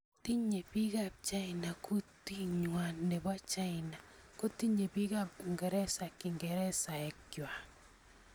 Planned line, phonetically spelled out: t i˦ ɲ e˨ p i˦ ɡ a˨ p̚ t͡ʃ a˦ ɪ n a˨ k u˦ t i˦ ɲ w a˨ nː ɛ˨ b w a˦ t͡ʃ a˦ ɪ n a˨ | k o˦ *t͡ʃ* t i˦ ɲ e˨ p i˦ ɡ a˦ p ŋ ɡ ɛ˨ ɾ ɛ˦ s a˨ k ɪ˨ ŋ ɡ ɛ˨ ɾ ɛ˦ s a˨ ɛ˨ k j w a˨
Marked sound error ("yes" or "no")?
yes